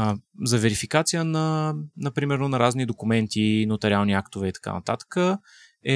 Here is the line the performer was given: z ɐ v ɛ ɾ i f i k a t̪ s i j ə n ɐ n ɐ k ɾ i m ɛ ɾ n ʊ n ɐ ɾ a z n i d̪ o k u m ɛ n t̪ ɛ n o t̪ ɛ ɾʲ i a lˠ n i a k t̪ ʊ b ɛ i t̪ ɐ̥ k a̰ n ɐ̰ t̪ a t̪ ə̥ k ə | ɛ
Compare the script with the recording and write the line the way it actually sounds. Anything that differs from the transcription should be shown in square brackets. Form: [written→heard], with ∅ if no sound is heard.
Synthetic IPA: z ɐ v ɛ ɾ i f i k a t̪ s i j ə n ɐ n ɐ [k→p] ɾ i m ɛ ɾ n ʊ n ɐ ɾ a z n i d̪ o k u m ɛ n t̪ [ɛ→i] n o t̪ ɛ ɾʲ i a lˠ n i a k t̪ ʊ [b→v] ɛ i t̪ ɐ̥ k a̰ n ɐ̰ t̪ a t̪ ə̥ k ə | ɛ